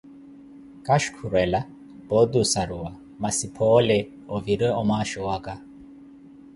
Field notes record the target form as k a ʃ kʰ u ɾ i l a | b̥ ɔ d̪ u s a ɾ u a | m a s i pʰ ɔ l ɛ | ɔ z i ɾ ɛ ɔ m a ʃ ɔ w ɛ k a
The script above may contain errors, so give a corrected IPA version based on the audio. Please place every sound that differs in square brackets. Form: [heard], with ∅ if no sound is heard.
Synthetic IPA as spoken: k a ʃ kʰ u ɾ [ɛ] l a | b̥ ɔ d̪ u s a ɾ u a | m a s i pʰ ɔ l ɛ | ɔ [v] i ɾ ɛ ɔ m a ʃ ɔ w [a] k a